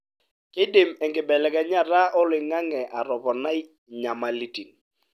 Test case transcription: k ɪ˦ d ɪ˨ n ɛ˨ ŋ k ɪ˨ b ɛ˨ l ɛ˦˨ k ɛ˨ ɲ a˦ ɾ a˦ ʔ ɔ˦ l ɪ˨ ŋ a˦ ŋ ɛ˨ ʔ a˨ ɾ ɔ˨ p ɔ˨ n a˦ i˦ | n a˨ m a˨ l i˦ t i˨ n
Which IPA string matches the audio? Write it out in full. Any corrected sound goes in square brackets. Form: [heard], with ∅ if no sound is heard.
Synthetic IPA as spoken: k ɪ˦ d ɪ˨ [m] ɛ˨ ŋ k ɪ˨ b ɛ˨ l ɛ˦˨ k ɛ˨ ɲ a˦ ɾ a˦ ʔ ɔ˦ l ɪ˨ ŋ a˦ ŋ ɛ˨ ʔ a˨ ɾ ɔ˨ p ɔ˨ n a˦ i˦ | [ɲ] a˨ m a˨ l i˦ t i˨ n